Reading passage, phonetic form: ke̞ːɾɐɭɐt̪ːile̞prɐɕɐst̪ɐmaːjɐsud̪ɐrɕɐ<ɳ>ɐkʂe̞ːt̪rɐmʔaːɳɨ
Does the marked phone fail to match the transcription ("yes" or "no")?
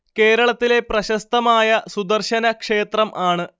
yes